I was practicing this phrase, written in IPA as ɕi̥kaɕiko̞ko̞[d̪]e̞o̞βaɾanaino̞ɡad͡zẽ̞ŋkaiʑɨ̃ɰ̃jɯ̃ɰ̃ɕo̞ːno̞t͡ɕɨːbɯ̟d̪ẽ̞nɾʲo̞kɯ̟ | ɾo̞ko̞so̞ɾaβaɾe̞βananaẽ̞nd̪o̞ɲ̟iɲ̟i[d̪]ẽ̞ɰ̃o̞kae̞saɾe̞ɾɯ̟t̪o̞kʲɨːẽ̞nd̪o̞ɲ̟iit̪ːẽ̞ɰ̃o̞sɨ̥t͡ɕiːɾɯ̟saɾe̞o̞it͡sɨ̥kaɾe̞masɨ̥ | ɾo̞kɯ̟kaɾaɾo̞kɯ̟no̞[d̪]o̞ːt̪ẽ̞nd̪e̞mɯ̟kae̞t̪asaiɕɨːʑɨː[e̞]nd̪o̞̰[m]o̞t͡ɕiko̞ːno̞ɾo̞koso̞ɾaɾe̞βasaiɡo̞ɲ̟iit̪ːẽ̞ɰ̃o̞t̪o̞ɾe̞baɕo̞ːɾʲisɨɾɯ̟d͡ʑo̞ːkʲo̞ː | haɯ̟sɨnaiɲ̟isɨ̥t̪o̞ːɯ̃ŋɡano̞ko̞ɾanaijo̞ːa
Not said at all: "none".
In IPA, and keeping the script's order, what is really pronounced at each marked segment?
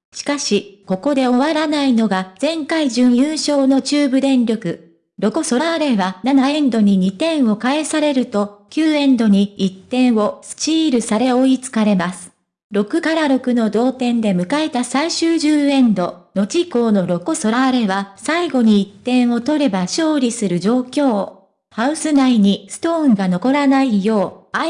d̪, t̪, d̪, ẽ̞, n

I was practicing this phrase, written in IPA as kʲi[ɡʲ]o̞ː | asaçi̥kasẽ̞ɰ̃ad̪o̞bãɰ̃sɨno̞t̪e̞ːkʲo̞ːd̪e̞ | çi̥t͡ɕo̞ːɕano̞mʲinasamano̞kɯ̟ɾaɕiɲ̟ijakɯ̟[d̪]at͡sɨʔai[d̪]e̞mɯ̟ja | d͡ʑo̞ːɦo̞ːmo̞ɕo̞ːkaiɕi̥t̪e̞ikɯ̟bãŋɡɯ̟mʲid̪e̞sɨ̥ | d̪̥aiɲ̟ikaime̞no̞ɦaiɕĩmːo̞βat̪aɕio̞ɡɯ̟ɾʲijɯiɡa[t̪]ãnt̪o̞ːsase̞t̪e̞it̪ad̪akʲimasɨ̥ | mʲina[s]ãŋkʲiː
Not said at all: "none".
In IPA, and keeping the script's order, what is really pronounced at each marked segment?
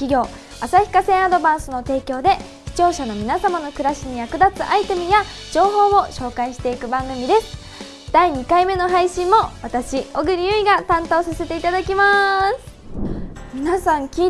ɡʲ, d̪, t̪, t̪, s

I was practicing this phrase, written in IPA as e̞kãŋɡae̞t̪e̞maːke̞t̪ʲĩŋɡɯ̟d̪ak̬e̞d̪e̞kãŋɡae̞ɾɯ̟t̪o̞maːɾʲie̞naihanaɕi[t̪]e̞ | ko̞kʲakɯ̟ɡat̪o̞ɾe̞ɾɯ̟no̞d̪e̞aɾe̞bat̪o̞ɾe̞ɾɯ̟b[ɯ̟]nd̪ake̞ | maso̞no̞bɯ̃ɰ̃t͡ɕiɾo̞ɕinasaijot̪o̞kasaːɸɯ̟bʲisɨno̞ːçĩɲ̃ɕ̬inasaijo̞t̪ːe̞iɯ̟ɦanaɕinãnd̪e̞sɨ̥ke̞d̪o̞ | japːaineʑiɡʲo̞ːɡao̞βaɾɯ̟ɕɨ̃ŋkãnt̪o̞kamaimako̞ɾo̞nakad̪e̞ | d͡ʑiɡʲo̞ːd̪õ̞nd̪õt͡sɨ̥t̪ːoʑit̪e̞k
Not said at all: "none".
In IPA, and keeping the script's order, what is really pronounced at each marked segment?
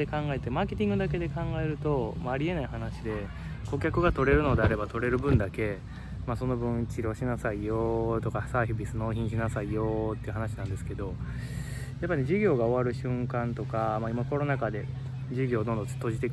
d̪, ɯ̟̃

